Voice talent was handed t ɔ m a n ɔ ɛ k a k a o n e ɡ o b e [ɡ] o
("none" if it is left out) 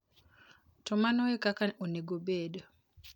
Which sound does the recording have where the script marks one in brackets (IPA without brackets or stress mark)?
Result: d